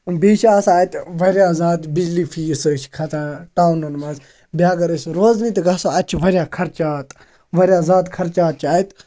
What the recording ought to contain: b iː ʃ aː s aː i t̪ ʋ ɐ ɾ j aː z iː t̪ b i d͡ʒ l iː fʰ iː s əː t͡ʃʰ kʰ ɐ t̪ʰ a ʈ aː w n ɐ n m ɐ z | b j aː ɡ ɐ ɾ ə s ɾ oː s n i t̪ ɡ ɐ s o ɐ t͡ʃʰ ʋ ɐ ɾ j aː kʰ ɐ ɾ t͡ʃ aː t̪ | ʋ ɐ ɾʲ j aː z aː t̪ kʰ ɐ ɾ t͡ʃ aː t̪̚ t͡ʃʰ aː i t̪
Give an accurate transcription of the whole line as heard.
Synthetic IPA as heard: b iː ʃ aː s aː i t̪ ʋ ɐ ɾ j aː z aː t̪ b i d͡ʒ l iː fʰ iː s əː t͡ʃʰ kʰ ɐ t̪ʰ a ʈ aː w n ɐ n m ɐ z | b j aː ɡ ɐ ɾ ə s ɾ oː z n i t̪ ɡ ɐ s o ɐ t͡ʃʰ ʋ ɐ ɾ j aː kʰ ɐ ɾ t͡ʃ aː t̪ | ʋ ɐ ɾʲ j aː z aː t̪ kʰ ɐ ɾ t͡ʃ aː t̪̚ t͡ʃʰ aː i t̪